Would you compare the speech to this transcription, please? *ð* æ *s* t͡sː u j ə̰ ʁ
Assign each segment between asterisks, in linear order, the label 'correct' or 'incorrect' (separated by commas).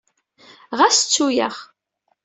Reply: incorrect, correct